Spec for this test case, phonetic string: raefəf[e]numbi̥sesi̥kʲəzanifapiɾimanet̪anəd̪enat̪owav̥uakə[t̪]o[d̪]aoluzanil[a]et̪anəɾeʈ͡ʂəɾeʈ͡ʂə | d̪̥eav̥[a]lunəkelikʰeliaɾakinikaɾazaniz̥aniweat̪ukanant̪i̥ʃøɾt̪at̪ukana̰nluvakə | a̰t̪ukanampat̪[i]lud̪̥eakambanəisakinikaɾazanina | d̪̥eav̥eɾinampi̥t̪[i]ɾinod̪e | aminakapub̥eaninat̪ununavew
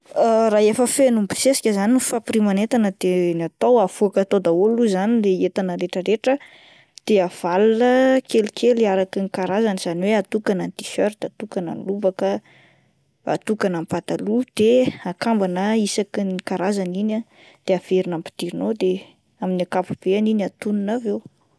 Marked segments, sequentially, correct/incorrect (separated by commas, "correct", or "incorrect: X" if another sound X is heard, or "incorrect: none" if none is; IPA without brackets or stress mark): correct, correct, correct, incorrect: e, correct, incorrect: a, correct